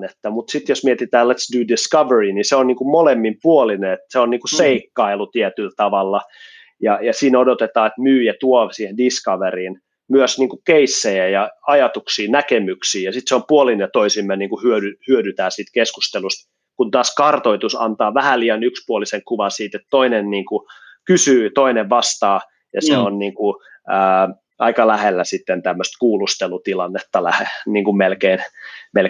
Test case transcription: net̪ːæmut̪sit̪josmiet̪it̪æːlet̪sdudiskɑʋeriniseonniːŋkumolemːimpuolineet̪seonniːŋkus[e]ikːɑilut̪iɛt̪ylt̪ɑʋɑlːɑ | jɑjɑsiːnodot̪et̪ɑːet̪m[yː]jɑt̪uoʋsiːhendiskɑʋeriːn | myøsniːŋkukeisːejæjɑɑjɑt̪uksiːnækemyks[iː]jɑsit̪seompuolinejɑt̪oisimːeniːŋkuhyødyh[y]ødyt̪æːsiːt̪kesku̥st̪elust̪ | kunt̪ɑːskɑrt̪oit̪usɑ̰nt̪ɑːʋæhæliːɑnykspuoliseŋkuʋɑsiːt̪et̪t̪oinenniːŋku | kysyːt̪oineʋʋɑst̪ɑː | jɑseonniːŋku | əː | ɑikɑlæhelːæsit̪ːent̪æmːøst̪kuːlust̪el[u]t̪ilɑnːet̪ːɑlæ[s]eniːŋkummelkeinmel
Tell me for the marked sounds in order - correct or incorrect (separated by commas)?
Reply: correct, correct, correct, correct, correct, incorrect